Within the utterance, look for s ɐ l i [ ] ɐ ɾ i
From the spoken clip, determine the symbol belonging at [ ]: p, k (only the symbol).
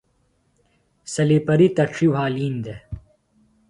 p